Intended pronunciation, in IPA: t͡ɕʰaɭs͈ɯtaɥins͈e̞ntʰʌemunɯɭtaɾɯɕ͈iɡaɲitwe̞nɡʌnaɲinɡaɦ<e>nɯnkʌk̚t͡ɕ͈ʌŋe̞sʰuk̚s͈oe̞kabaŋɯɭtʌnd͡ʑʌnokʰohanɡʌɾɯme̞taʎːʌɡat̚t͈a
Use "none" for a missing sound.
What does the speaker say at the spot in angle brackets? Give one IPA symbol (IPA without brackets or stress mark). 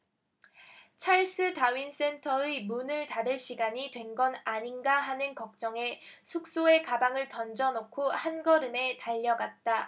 a